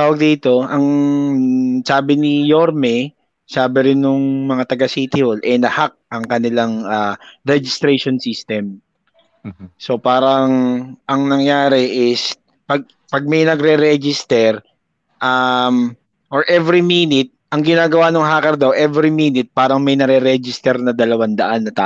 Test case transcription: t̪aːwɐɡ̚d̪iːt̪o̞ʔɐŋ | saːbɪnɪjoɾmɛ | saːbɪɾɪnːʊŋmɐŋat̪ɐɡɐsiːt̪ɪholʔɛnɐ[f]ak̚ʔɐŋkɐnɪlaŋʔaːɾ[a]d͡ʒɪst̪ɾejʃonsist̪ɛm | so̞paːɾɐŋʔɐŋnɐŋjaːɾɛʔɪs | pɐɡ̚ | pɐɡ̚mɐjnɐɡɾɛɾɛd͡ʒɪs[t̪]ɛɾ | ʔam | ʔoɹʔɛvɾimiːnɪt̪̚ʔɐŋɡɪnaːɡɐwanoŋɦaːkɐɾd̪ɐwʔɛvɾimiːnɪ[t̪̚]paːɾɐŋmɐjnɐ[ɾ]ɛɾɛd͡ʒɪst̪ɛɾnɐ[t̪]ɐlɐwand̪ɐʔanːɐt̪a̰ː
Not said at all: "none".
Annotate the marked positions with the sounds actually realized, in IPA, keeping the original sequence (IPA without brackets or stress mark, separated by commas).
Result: h, ɛ, t̪, t̪̚, ɾ, d̪